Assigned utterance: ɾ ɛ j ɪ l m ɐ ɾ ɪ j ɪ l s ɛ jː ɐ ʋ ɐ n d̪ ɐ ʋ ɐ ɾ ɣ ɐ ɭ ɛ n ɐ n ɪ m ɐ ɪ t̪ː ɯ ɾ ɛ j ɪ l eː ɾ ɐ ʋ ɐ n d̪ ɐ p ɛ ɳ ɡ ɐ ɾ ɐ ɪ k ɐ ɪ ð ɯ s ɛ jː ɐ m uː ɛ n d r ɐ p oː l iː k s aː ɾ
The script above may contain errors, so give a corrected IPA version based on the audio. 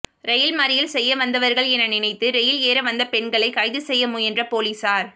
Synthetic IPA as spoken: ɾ ɛ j ɪ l m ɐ ɾ ɪ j ɪ l s ɛ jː ɐ ʋ ɐ n d̪ ɐ ʋ ɐ ɾ ɣ ɐ ɭ ɛ n ɐ n ɪ n ɐ ɪ t̪ː ɯ ɾ ɛ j ɪ l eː ɾ ɐ ʋ ɐ n d̪ ɐ p ɛ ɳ ɡ ɐ ɭ ɐ ɪ k ɐ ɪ ð ɯ s ɛ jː ɐ m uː ɛ n d r ɐ p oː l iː s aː ɾ

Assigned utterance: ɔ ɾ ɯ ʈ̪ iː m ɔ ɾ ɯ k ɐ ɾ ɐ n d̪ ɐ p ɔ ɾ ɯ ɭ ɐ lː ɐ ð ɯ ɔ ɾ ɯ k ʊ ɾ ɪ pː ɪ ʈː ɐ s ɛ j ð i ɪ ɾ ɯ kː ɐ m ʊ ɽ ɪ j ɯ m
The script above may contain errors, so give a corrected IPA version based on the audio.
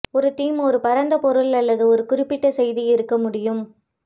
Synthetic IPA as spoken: ɔ ɾ ɯ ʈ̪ iː m ɔ ɾ ɯ p ɐ ɾ ɐ n d̪ ɐ p ɔ ɾ ɯ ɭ ɐ lː ɐ ð ɯ ɔ ɾ ɯ k ʊ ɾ ɪ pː ɪ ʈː ɐ s ɛ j ð i ɪ ɾ ɯ kː ɐ m ʊ ɽ ɪ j ɯ m

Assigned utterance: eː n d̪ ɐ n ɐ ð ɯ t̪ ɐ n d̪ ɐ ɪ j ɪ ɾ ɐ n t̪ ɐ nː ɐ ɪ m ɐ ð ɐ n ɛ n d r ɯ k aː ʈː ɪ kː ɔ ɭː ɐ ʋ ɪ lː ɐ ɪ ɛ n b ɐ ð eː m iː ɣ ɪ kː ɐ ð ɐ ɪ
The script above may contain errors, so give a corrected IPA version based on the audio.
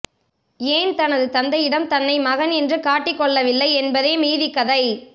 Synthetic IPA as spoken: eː n t̪ ɐ n ɐ ð ɯ t̪ ɐ n d̪ ɐ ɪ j ɪ ɽ ɐ m t̪ ɐ nː ɐ ɪ m ɐ ɣ ɐ n ɛ n d r ɯ k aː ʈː ɪ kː ɔ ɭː ɐ ʋ ɪ lː ɐ ɪ ɛ n b ɐ ð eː m iː ð ɪ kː ɐ ð ɐ ɪ

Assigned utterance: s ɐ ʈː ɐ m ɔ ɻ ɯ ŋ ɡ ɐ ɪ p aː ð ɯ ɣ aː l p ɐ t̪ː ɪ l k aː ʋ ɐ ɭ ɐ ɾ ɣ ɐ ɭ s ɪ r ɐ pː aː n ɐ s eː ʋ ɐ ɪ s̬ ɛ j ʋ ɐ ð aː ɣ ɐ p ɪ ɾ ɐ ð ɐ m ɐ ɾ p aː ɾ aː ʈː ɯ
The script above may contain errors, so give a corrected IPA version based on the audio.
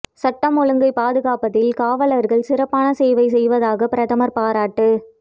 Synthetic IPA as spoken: s ɐ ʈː ɐ m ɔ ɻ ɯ ŋ ɡ ɐ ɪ p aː ð ɯ ɣ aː p ɐ t̪ː ɪ l k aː ʋ ɐ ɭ ɐ ɾ ɣ ɐ ɭ s ɪ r ɐ pː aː n ɐ s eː ʋ ɐ ɪ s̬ ɛ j ʋ ɐ ð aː ɣ ɐ p ɪ ɾ ɐ ð ɐ m ɐ ɾ p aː ɾ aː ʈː ɯ

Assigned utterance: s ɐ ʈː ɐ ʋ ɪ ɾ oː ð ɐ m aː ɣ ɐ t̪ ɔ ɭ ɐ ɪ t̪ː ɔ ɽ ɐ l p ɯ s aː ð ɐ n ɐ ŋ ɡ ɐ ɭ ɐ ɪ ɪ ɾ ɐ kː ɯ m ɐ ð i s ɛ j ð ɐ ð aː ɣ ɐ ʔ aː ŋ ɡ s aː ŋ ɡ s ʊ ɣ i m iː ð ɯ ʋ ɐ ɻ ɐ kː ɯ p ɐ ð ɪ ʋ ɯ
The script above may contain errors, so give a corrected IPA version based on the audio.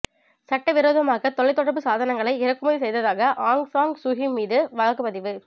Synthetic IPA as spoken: s ɐ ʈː ɐ ʋ ɪ ɾ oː ð ɐ m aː ɣ ɐ t̪ ɔ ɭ ɐ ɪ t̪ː ɔ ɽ ɐ ɾ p ɯ s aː ð ɐ n ɐ ŋ ɡ ɐ ɭ ɐ ɪ ɪ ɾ ɐ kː ɯ m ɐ ð i s ɛ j ð ɐ ð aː ɣ ɐ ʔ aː ŋ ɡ s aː ŋ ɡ s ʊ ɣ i m iː ð ɯ ʋ ɐ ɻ ɐ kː ɯ p ɐ ð ɪ ʋ ɯ

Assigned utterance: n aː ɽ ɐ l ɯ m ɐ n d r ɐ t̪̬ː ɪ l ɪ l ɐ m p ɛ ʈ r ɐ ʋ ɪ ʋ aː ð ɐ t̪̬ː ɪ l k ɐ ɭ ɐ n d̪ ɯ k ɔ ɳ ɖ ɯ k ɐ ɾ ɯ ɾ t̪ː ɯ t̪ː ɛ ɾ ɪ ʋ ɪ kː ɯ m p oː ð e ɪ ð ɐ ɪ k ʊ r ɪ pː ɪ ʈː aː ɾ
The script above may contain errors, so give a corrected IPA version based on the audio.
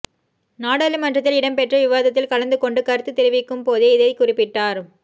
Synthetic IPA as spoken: n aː ɽ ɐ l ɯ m ɐ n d r ɐ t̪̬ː ɪ l ɪ ɽ ɐ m p ɛ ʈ r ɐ ʋ ɪ ʋ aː ð ɐ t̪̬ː ɪ l k ɐ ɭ ɐ n d̪ ɯ k ɔ ɳ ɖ ɯ k ɐ ɾ ɯ t̪ː ɯ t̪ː ɛ ɾ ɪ ʋ ɪ kː ɯ m p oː ð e ɪ ð ɐ ɪ k ʊ r ɪ pː ɪ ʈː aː ɾ

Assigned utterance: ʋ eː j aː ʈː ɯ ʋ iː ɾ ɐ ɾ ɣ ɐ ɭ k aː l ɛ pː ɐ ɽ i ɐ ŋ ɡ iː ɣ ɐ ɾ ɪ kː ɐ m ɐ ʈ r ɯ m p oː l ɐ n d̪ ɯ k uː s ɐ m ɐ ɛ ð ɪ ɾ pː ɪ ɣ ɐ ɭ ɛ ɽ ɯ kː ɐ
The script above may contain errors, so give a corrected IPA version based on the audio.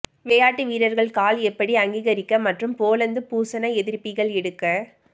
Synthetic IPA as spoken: ʋ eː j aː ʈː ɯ ʋ iː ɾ ɐ ɾ ɣ ɐ ɭ k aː l ɛ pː ɐ ɽ i ɐ ŋ ɡ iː ɣ ɐ ɾ ɪ kː ɐ m ɐ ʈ r ɯ m p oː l ɐ n d̪ ɯ p uː s ɐ n ɐ ɛ ð ɪ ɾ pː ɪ ɣ ɐ ɭ ɛ ɽ ɯ kː ɐ

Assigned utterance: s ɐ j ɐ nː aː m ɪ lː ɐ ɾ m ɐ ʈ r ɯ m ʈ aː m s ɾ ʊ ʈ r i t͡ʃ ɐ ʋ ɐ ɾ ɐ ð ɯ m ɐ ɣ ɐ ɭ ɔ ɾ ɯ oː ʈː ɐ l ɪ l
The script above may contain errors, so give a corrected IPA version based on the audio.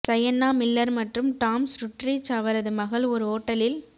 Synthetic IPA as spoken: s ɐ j ɐ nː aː m ɪ lː ɐ ɾ m ɐ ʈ r ɯ m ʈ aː m s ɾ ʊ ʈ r i t͡ʃ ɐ ʋ ɐ ɾ ɐ ð ɯ m ɐ ɣ ɐ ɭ ɔ ɾ ɯ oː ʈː ɐ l ɪ l

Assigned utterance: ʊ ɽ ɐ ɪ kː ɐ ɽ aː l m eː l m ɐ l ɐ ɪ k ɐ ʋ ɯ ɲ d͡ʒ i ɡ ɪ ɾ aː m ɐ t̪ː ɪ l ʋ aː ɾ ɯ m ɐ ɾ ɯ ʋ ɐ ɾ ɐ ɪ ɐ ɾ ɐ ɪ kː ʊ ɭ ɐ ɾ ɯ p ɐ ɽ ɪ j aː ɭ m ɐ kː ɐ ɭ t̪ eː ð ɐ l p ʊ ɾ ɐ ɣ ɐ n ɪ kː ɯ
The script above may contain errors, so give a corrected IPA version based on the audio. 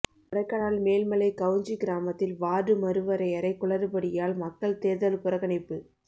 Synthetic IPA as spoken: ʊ ɽ ɐ ɪ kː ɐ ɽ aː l m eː l m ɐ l ɐ ɪ k ɐ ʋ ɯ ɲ d͡ʒ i ɡ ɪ ɾ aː m ɐ t̪ː ɪ l ʋ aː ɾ ɯ m ɐ ɾ ɯ ʋ ɐ ɾ ɐ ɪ ɐ ɾ ɐ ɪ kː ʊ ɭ ɐ ɾ ɯ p ɐ ɽ ɪ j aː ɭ m ɐ kː ɐ ɭ t̪ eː ð ɐ l p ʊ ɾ ɐ ɣ ɐ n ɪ pː ɯ

